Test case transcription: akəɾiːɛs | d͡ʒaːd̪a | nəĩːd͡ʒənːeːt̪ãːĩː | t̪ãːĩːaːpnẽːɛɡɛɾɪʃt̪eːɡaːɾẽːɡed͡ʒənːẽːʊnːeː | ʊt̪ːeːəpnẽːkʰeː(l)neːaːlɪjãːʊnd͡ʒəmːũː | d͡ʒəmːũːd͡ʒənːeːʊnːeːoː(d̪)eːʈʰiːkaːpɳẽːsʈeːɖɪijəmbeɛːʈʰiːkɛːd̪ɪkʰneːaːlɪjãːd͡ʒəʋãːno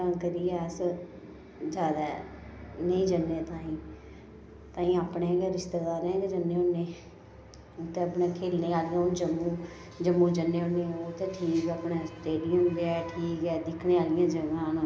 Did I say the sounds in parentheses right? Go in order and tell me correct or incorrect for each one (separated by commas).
correct, incorrect